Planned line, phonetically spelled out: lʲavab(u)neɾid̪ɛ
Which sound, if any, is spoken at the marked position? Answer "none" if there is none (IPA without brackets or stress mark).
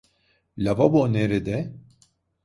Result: o